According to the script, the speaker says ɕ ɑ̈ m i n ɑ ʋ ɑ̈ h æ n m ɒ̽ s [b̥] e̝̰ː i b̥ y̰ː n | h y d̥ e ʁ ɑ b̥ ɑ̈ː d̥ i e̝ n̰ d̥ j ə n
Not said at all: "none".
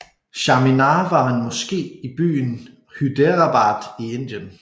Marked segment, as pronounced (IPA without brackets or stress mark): ɡ̥